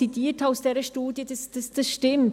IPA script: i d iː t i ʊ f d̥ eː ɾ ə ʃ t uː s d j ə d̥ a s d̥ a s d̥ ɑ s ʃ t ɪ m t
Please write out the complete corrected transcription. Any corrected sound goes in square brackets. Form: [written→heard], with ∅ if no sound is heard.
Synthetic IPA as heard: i d iː t [i→a] ʊ [f→s] d̥ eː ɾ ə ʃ t uː [s→∅] d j ə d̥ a s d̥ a s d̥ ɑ s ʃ t ɪ m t

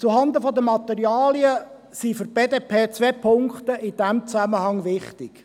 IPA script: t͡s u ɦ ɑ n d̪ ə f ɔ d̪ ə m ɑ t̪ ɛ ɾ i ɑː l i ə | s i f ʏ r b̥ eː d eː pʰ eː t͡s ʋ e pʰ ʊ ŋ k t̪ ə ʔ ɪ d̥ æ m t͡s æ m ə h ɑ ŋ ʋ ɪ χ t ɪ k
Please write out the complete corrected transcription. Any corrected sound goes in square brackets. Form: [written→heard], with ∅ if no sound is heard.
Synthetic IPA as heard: t͡s u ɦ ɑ n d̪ ə f ɔ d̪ ə m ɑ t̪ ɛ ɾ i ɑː l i ə | s i f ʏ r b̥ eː d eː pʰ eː t͡s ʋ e pʰ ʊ ŋ k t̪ ə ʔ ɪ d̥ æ m t͡s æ m ə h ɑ ŋ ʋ ɪ χ t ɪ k

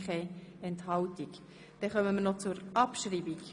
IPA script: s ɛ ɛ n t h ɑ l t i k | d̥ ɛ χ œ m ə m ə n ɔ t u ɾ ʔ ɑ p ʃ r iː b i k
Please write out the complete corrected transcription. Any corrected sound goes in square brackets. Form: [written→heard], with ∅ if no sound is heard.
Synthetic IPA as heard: [s→χ] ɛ ɛ n t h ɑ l t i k | d̥ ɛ χ œ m ə m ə n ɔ [t→t͡s] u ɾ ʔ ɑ p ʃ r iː b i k

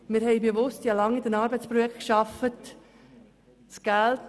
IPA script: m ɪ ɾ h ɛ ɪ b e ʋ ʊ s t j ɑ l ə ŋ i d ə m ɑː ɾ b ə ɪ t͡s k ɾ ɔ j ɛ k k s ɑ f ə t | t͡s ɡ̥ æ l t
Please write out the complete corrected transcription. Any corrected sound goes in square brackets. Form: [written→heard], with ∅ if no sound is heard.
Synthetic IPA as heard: m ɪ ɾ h ɛ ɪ b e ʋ ʊ s t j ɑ l [ə→ɑ] ŋ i d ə [m→n] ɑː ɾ b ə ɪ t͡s [k→p] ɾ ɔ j ɛ k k [s→ʃ] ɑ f ə t | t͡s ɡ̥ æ l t

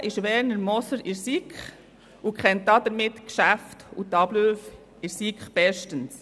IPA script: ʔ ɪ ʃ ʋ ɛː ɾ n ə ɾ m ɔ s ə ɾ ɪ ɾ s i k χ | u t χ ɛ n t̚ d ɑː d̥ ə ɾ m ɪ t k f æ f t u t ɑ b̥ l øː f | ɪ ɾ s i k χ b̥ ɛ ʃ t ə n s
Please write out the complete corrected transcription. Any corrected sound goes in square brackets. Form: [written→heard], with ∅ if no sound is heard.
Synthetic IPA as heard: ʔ ɪ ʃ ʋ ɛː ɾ n ə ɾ m ɔ s ə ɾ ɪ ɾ s i k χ | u [t→k] χ ɛ n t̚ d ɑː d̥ ə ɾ m ɪ t k [f→ʃ] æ f t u t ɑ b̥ l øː f | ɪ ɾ s i k χ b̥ ɛ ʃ t ə n s

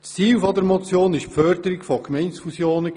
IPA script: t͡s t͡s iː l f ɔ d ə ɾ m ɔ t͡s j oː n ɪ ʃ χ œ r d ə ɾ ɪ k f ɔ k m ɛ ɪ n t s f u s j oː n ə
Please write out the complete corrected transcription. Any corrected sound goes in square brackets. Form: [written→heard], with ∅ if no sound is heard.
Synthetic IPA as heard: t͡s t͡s iː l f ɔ d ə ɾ m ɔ t͡s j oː n ɪ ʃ [χ→f] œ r d ə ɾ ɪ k f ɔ k m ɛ ɪ n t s f u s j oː n ə

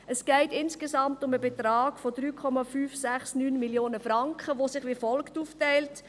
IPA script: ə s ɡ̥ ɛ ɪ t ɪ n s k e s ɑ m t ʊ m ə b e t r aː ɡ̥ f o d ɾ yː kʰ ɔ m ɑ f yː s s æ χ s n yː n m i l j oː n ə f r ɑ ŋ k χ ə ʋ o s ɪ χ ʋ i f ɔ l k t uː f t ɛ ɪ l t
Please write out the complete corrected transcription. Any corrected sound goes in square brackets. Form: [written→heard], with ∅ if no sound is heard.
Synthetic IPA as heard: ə s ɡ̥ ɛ ɪ t ɪ n s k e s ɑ m t ʊ m ə b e t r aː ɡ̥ f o d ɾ yː kʰ ɔ m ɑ f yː [s→f] s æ χ s n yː n m i l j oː n ə f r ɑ ŋ k χ ə ʋ o s ɪ χ ʋ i f ɔ l k t uː f t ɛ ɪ l t

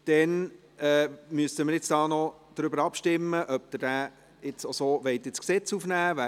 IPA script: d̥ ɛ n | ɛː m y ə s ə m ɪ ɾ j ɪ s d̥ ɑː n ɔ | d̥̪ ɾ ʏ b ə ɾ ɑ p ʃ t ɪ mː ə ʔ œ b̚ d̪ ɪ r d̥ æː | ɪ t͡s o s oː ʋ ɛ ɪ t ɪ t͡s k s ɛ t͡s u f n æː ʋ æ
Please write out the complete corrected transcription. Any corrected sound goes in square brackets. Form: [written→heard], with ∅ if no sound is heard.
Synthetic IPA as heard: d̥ ɛ n | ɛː m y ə s ə m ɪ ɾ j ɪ [s→t͡s] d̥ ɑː n ɔ | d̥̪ ɾ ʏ b ə ɾ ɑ p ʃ t ɪ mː ə ʔ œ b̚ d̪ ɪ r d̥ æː | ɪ t͡s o s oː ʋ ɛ ɪ t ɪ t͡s k s ɛ t͡s u f n æː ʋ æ

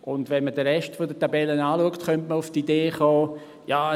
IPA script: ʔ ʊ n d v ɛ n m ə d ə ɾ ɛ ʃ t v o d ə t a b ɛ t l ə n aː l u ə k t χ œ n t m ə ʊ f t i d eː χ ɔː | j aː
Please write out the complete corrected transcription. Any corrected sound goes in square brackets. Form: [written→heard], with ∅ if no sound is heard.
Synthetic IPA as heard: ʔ ʊ n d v ɛ n m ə d ə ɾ ɛ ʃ t [v→f] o d ə t a b ɛ [t→∅] l ə n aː l u ə k t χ œ n t m ə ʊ f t i d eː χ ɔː | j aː

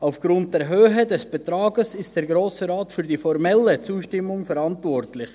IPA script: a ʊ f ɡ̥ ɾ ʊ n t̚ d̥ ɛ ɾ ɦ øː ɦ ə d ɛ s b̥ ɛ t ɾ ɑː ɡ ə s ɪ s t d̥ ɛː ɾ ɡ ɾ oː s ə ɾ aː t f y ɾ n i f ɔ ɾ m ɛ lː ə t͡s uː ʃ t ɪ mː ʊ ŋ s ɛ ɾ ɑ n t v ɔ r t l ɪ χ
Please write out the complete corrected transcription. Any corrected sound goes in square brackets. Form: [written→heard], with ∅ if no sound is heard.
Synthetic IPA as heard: a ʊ f ɡ̥ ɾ ʊ n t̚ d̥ ɛ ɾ ɦ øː ɦ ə d ɛ s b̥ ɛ t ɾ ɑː ɡ ə s ɪ s t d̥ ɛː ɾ ɡ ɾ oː s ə ɾ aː t f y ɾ [n→d] i f ɔ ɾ m ɛ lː ə t͡s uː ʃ t ɪ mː ʊ ŋ [s→f] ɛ ɾ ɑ n t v ɔ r t l ɪ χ

